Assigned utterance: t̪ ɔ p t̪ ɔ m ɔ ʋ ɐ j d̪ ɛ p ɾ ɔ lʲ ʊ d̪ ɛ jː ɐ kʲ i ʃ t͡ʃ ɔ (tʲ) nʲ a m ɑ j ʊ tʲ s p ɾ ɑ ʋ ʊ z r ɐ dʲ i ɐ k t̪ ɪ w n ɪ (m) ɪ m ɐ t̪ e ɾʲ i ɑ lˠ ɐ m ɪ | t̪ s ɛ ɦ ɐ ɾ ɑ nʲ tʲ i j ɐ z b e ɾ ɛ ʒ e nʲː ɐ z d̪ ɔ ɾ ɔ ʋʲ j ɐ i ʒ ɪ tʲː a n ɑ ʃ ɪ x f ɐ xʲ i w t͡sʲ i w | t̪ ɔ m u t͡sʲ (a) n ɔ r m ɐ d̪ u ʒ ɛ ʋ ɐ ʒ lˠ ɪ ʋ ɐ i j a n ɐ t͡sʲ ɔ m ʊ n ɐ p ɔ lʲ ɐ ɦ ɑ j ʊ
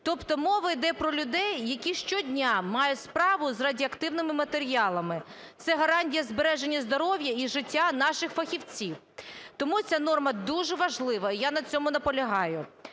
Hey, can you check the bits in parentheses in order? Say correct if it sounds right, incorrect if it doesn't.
incorrect: dʲ, correct, correct

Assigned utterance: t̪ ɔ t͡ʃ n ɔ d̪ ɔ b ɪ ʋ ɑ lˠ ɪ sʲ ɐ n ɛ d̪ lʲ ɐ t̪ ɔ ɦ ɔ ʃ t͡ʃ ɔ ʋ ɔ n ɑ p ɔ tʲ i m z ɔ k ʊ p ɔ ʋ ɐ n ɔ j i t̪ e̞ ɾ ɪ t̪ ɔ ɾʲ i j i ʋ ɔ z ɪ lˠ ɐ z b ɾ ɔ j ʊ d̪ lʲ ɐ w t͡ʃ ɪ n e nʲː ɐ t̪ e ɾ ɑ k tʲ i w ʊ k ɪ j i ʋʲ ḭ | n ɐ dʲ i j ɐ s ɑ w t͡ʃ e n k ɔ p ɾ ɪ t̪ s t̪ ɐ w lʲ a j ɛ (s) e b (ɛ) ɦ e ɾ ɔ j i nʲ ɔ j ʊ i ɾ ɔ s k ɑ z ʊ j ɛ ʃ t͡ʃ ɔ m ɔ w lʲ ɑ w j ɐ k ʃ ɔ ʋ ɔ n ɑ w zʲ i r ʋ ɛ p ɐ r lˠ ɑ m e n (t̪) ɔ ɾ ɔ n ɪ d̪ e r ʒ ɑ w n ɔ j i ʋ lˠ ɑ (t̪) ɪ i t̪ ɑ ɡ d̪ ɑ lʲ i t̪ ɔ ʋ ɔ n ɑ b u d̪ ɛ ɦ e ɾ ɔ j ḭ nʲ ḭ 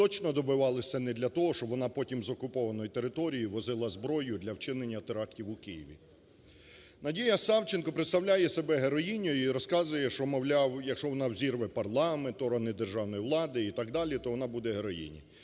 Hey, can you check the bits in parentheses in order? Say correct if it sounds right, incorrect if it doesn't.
correct, correct, correct, incorrect: d̪

